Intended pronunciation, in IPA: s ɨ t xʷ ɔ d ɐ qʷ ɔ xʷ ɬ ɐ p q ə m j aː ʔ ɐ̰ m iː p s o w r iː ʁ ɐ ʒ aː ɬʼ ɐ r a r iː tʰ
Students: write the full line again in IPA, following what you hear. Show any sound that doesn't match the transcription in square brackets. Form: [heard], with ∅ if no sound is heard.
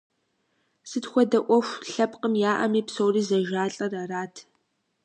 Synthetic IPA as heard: s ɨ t xʷ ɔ d ɐ [ʔʷ] ɔ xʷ ɬ ɐ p q ə m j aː ʔ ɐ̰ m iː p s o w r iː [z] ɐ ʒ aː ɬʼ ɐ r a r [aː] tʰ